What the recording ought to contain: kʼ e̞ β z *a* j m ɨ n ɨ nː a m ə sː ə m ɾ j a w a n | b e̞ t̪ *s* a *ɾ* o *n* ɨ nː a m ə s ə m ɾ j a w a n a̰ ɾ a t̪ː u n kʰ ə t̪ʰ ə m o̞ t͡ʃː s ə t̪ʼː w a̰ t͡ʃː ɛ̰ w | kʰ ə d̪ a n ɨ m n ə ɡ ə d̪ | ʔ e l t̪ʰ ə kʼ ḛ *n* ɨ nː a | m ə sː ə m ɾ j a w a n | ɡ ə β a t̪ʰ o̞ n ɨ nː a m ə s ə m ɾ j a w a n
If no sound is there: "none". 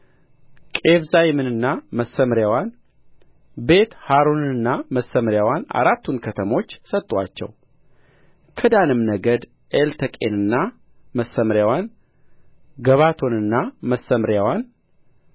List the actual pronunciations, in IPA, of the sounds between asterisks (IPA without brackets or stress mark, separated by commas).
a, h, ɾ, n, n